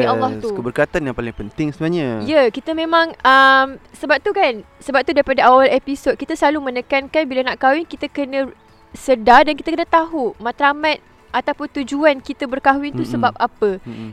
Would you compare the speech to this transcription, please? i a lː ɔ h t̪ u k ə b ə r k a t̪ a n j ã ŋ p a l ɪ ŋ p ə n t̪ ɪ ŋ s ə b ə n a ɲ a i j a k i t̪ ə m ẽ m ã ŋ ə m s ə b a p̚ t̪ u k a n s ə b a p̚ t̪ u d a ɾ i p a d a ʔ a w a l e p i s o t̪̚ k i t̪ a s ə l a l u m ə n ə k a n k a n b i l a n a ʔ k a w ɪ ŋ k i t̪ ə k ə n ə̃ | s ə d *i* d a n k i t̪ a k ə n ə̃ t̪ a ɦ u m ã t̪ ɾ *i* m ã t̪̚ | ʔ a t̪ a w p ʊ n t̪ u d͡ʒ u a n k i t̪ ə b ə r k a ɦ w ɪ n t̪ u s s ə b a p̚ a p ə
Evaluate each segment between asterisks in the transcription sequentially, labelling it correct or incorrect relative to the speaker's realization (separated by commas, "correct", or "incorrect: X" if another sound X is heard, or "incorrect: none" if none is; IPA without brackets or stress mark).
incorrect: a, incorrect: a